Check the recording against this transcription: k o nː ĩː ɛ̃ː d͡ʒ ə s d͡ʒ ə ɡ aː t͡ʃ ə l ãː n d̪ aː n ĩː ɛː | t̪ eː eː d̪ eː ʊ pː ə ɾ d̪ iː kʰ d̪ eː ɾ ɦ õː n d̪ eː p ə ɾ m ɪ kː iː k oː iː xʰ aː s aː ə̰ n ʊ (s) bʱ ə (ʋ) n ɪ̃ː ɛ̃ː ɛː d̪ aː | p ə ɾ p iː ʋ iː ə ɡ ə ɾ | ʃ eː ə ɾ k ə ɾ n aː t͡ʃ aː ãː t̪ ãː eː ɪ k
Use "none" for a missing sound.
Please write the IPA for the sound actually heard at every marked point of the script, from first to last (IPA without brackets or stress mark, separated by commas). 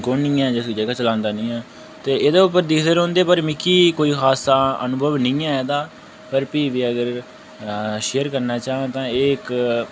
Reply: none, ʋ